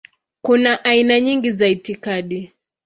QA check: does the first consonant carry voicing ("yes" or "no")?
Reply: no